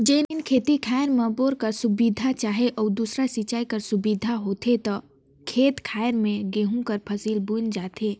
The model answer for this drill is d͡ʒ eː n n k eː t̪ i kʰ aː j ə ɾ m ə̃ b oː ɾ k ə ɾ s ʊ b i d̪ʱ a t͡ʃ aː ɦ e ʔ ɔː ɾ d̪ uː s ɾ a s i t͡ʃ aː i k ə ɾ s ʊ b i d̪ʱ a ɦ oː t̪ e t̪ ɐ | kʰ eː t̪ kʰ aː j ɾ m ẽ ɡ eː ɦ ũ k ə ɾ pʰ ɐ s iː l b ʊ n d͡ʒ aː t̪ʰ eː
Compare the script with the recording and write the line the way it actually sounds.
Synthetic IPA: d͡ʒ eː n n kʰ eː t̪ i kʰ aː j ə ɾ m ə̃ b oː ɾ k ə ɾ s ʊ b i d̪ʱ a t͡ʃ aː ɦ e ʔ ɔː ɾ d̪ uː s ɾ a s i t͡ʃ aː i k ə ɾ s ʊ b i d̪ʱ a ɦ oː t̪ e t̪ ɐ | kʰ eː t̪ kʰ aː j ɾ m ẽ ɡ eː ɦ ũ k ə ɾ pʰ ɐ s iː l b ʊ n d͡ʒ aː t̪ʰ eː

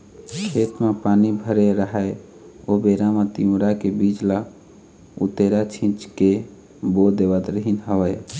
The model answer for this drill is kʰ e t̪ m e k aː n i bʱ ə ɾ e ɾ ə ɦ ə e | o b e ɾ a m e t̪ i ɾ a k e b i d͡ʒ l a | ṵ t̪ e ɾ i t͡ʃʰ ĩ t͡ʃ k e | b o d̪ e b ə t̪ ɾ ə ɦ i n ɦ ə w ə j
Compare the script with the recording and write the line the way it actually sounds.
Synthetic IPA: kʰ e t̪ m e p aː n i bʱ ə ɾ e ɾ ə ɦ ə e | o b e ɾ a m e t̪ i ɾ a k e b i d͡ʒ l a | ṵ t̪ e ɾ a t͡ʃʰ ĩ t͡ʃ k e | b o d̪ e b ə t̪ ɾ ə ɦ i n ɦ ə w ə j

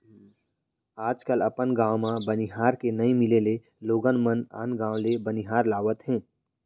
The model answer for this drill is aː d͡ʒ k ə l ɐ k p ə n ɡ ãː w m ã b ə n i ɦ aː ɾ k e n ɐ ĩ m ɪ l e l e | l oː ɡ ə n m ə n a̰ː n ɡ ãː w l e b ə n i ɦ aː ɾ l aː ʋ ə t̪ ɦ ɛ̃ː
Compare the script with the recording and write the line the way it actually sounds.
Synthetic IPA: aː d͡ʒ k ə l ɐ p ə n ɡ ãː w m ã b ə n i ɦ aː ɾ k e n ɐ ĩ m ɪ l e l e | l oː ɡ ə n m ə n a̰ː n ɡ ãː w l e b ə n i ɦ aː ɾ l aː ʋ ə t̪ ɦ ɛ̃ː

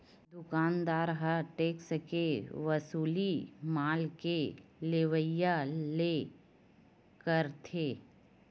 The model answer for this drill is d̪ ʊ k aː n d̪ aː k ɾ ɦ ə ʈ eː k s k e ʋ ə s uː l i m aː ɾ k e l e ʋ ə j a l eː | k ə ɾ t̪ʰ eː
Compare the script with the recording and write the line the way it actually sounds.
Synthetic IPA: d̪ ʊ k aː n d̪ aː ɾ ɦ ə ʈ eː k s k e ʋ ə s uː l i m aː l k e l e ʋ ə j a l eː | k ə ɾ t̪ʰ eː

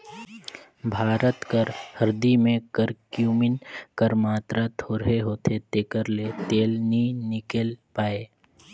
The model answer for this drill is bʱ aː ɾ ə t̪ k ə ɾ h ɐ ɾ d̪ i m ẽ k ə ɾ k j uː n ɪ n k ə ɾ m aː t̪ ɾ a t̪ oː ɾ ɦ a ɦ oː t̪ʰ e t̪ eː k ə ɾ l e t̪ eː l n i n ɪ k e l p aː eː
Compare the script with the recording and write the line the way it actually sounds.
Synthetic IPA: bʱ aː ɾ ə t̪ k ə ɾ h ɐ ɾ d̪ i m ẽ k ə ɾ k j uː m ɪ n k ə ɾ m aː t̪ ɾ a t̪ʰ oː ɾ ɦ e ɦ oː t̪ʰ e t̪ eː k ə ɾ l e t̪ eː l n i n ɪ k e l p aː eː

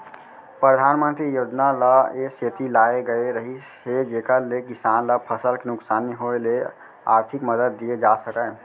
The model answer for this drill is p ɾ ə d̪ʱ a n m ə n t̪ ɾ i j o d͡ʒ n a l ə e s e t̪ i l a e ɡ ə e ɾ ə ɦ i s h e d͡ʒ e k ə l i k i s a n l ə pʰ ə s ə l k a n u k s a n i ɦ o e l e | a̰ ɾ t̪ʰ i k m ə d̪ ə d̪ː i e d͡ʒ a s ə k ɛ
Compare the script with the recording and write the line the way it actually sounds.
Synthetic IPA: p ɾ ə d̪ʱ a n m ə n t̪ ɾ i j o d͡ʒ n a l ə e s e t̪ i l a e ɡ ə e ɾ ə ɦ i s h e d͡ʒ e k ə l e k i s a n l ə pʰ ə s ə l k e n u k s a n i ɦ o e l e | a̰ ɾ t̪ʰ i k m ə d̪ ə d̪ː i e d͡ʒ a s ə k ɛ

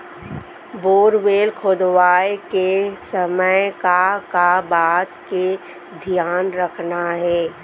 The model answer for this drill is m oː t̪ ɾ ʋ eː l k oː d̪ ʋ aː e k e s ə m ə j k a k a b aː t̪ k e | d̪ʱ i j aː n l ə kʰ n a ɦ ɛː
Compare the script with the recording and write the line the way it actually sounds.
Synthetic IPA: b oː ɾ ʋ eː l kʰ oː d̪ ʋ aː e k e s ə m ə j k a k a b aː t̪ k e | d̪ʱ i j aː n ɾ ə kʰ n a ɦ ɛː

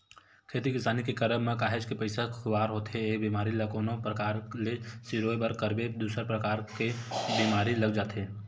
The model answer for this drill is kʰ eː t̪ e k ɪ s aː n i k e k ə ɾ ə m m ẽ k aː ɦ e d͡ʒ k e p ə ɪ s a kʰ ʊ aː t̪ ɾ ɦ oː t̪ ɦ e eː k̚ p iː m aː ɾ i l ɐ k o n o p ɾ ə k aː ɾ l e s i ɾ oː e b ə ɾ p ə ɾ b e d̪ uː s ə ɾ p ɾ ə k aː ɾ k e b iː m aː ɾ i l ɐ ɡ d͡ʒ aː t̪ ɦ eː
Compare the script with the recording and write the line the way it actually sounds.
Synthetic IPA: kʰ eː t̪ i k ɪ s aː n i k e k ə ɾ ə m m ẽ k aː ɦ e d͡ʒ k e p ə ɪ s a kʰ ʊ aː ɾ ɦ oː t̪ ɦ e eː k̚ b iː m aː ɾ i l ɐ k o n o p ɾ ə k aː ɾ l e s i ɾ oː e b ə ɾ k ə ɾ b e d̪ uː s ə ɾ p ɾ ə k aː ɾ k e b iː m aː ɾ i l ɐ ɡ d͡ʒ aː t̪ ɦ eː

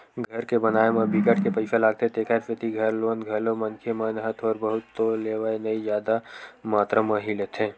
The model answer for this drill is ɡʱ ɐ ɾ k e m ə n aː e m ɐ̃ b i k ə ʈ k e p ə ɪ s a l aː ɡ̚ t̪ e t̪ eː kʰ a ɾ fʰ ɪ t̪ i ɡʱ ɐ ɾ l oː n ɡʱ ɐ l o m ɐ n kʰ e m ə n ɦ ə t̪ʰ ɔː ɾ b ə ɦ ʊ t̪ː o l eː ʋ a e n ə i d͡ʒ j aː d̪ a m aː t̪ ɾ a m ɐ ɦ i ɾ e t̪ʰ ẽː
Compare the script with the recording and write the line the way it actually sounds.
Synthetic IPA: ɡʱ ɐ ɾ k e b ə n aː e m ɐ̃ b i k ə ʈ k e p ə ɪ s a l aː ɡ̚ t̪ e t̪ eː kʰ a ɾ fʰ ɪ t̪ i ɡʱ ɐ ɾ l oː n ɡʱ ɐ l o m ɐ n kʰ e m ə n ɦ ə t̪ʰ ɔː ɾ b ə ɦ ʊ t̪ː o l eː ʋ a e n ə i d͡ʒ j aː d̪ a m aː t̪ ɾ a m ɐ ɦ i l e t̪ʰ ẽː

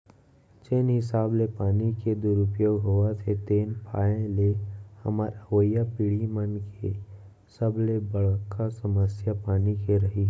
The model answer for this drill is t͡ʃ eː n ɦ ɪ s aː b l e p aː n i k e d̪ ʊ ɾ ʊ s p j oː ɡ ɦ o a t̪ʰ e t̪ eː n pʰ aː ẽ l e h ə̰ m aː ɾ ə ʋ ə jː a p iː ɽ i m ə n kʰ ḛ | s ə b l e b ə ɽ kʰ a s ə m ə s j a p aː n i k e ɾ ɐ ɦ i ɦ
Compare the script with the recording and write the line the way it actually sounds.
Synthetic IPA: t͡ʃ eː n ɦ ɪ s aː b l e p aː n i k e d̪ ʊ ɾ ʊ p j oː ɡ ɦ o a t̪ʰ e t̪ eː n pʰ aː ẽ l e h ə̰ m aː ɾ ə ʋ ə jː a p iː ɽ i m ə n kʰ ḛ | s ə b l e b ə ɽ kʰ a s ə m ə s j a p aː n i k e ɾ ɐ ɦ i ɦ

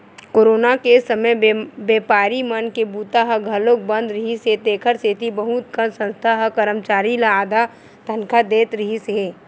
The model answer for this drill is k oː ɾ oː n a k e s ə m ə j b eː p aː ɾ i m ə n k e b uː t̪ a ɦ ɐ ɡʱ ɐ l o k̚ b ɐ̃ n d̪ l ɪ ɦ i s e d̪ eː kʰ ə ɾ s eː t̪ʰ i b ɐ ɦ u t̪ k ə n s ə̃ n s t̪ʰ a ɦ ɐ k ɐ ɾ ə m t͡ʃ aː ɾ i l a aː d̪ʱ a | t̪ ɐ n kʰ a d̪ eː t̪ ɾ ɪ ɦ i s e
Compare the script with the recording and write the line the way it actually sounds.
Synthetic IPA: k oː ɾ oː n a k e s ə m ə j b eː p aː ɾ i m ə n k e b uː t̪ a ɦ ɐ ɡʱ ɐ l o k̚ b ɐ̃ n d̪ ɾ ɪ ɦ i s e t̪ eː kʰ ə ɾ s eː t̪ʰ i b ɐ ɦ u t̪ k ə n s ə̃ n s t̪ʰ a ɦ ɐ k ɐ ɾ ə m t͡ʃ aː ɾ i l a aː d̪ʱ a | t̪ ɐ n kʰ a d̪ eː t̪ ɾ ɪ ɦ i s e

